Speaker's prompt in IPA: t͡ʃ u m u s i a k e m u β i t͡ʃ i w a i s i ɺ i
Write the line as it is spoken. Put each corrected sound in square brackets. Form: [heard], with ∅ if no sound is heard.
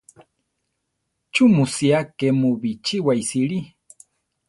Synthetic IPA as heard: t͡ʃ u m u s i a k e m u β i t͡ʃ i w a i s i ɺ i